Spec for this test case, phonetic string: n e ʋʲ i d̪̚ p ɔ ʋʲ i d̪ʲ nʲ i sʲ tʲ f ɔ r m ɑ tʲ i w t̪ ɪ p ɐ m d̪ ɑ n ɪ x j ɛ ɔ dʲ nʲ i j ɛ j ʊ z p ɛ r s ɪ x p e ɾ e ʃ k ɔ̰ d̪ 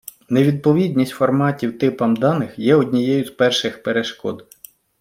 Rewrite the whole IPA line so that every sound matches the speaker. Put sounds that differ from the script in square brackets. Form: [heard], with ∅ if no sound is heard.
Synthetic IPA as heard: n e ʋʲ i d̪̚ p ɔ ʋʲ i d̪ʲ nʲ i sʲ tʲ f ɔ r m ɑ tʲ i w t̪ ɪ p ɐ m d̪ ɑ n ɪ x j ɛ ɔ dʲ nʲ i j ɛ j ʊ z p ɛ r [ʃ] ɪ x p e ɾ e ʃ k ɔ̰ d̪

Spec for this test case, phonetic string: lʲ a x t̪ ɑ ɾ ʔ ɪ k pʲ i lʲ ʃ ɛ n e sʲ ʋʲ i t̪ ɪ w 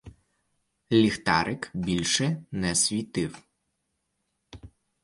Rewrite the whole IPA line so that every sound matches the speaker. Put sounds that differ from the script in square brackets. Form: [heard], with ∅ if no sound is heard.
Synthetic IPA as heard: lʲ [i] x t̪ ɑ ɾ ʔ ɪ k [bʲ] i lʲ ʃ ɛ n [ɛ] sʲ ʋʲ i t̪ ɪ w

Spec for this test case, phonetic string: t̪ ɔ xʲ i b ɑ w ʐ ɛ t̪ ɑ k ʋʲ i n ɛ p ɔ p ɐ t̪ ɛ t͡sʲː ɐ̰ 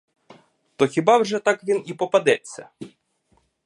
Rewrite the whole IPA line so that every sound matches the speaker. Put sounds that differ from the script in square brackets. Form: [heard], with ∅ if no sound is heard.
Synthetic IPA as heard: t̪ ɔ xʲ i b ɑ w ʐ ɛ t̪ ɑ k ʋʲ i n [i] p ɔ p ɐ [d̪] ɛ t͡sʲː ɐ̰

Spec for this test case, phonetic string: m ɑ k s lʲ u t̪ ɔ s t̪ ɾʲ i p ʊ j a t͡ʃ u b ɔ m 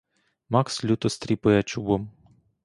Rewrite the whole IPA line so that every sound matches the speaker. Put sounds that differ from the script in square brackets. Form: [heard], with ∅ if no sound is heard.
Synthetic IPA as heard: m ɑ k s lʲ u t̪ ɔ s t̪ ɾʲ i p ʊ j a t͡ʃ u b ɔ m

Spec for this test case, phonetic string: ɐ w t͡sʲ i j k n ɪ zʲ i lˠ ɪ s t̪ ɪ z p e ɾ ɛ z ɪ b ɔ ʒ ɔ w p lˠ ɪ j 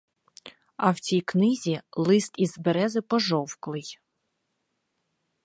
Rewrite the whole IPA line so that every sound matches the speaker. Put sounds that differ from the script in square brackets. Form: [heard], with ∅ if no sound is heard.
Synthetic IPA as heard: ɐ w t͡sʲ i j k n ɪ zʲ i lˠ ɪ s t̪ [i] z [b] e ɾ ɛ z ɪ [p] ɔ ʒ ɔ w [k] lˠ ɪ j

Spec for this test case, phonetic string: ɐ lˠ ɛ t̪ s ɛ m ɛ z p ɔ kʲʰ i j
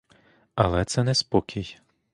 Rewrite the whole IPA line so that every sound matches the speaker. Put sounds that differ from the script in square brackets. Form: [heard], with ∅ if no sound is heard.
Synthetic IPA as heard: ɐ lˠ ɛ t̪ s ɛ [n] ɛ [s] p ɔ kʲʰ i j

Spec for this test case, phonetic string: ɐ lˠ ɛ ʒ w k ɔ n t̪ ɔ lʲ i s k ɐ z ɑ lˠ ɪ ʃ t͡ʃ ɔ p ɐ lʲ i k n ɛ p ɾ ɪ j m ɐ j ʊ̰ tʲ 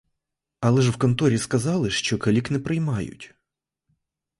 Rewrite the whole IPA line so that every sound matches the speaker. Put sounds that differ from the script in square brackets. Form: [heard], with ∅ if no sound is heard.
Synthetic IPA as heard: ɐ lˠ ɛ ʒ w k ɔ n t̪ ɔ [ɾʲ] i s k ɐ z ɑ lˠ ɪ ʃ t͡ʃ ɔ [k] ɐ lʲ i k n ɛ p ɾ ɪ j m [ɑ] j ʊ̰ tʲ

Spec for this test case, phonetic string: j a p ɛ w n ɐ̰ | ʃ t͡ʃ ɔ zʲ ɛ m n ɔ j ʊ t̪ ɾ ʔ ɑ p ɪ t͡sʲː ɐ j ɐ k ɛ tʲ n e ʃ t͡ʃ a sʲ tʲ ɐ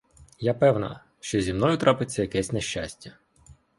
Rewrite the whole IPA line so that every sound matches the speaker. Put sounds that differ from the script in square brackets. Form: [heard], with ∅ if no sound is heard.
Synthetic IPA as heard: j a p ɛ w n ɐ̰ | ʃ t͡ʃ ɔ zʲ [i] m n ɔ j ʊ t̪ ɾ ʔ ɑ p ɪ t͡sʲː ɐ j ɐ k ɛ [sʲ] n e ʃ t͡ʃ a sʲ tʲ ɐ

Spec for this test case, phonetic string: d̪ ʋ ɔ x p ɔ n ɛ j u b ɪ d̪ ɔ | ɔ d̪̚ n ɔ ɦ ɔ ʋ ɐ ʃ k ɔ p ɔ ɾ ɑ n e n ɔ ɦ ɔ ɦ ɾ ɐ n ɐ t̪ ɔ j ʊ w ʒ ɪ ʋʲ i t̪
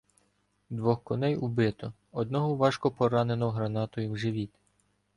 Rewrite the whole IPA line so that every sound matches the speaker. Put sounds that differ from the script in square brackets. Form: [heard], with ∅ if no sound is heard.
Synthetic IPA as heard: d̪ ʋ ɔ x [k] ɔ n ɛ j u b ɪ [t̪] ɔ | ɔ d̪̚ n ɔ ɦ ɔ ʋ [ɑ] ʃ k ɔ p ɔ ɾ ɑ n e n ɔ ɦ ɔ ɦ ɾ ɐ n [ɑ] t̪ ɔ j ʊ w ʒ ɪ ʋʲ i t̪

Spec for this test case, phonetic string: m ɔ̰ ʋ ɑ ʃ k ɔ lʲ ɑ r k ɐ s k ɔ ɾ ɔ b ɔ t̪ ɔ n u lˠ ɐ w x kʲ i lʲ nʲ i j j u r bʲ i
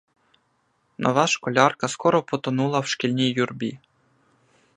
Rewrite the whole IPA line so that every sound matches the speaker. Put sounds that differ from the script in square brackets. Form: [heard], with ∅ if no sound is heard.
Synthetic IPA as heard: [n] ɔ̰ ʋ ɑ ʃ k ɔ lʲ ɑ r k ɐ s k ɔ ɾ ɔ [p] ɔ t̪ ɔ n u lˠ ɐ w [ʃ] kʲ i lʲ nʲ i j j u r bʲ i

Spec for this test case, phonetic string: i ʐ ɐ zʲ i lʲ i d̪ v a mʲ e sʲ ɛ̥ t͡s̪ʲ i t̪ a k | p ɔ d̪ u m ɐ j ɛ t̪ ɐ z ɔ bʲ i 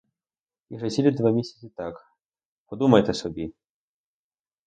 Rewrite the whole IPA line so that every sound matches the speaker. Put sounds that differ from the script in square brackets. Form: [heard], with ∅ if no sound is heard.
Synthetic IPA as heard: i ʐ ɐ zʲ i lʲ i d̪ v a mʲ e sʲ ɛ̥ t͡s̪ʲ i t̪ a k | p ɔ d̪ u m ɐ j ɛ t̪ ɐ [s] ɔ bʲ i

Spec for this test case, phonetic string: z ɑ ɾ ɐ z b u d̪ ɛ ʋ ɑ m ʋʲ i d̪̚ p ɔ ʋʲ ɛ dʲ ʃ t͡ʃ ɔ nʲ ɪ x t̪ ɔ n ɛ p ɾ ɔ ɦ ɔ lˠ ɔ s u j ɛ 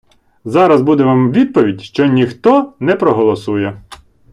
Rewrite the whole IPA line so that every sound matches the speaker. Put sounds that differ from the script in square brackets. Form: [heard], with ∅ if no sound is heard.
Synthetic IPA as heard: z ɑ ɾ ɐ z b u d̪ ɛ ʋ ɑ m ʋʲ i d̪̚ p ɔ ʋʲ [i] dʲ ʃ t͡ʃ ɔ nʲ [i] x t̪ ɔ n ɛ p ɾ ɔ ɦ ɔ lˠ ɔ s u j ɛ

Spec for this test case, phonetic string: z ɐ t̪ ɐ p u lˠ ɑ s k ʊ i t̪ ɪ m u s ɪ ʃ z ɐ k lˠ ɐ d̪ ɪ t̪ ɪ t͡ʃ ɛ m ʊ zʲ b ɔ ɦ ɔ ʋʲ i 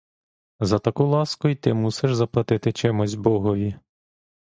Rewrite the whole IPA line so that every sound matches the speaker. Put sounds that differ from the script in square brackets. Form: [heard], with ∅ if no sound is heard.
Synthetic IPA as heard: z ɐ t̪ ɐ [k] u lˠ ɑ s k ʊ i t̪ ɪ m u s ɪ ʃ z ɐ [p] lˠ ɐ [t̪] ɪ t̪ ɪ t͡ʃ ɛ m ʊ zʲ b ɔ ɦ ɔ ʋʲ i

